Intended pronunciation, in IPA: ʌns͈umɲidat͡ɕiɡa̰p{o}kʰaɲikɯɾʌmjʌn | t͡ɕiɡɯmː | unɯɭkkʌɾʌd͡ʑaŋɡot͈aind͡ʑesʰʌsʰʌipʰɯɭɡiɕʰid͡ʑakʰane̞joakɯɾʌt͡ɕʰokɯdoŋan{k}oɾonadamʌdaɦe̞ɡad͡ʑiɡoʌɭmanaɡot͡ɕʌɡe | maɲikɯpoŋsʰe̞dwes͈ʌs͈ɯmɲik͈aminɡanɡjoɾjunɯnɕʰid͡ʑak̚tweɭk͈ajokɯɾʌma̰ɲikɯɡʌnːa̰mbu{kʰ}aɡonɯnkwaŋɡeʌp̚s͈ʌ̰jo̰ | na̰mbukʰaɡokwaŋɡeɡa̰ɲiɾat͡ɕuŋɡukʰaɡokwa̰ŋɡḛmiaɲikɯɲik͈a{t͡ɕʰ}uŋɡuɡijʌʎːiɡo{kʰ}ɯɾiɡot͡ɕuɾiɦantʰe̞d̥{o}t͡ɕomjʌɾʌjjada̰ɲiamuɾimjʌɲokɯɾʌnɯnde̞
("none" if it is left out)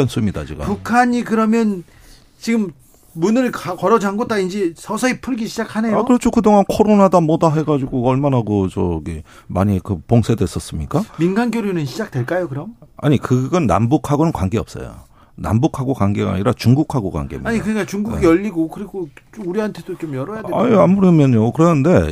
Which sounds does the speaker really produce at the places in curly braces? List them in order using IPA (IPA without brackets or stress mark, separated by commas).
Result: u, kʰ, kʰ, t͡ɕ, k, o